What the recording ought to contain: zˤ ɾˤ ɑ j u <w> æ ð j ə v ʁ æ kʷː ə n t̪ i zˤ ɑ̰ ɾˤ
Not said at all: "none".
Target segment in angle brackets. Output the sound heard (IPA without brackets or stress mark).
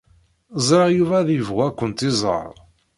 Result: v